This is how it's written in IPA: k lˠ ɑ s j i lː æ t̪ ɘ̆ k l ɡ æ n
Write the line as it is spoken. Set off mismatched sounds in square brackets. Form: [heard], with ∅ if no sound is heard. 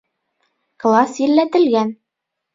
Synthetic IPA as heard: k lˠ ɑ s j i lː æ t̪ ɘ̆ [∅] l ɡ æ n